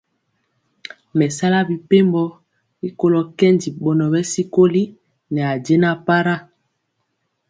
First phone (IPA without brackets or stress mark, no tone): m